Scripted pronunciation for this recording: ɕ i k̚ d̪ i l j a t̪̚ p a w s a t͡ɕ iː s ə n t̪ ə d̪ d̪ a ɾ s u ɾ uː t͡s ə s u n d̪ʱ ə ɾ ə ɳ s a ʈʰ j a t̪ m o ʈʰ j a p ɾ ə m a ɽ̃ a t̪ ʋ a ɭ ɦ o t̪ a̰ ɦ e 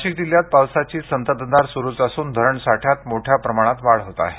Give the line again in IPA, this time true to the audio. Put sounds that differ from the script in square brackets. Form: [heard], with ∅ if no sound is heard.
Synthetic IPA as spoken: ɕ i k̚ d̪ i l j a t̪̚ p a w s a t͡ɕ iː s ə n t̪ ə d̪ d̪ a ɾ s u ɾ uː t͡s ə s [uː] n d̪ʱ ə ɾ ə ɳ s a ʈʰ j a t̪ m o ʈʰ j a p ɾ ə m a ɽ̃ a t̪ ʋ a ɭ ɦ o t̪ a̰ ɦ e